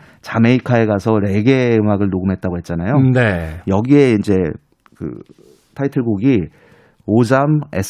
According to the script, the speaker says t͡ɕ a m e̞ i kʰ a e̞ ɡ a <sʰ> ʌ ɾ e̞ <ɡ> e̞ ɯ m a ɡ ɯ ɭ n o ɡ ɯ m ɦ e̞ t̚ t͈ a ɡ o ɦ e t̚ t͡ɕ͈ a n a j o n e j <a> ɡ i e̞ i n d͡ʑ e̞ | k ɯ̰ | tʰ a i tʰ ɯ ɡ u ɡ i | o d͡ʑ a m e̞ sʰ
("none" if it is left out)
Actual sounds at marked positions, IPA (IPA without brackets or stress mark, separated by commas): sʰ, ɡ, ʌ